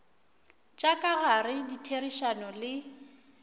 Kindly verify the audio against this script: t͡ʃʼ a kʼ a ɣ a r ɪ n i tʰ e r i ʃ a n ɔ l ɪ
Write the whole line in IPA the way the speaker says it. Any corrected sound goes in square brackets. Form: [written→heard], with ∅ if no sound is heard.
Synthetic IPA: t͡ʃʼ a kʼ a ɣ a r ɪ [n→d] i tʰ e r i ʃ a n ɔ l ɪ